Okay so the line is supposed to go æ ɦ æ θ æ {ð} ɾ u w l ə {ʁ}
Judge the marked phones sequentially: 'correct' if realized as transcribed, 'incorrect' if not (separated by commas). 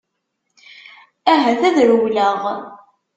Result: correct, correct